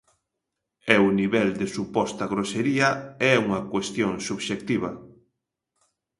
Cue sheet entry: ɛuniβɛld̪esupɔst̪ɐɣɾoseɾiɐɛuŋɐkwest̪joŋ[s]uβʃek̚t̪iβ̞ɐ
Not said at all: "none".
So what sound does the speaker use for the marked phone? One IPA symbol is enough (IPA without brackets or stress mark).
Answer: s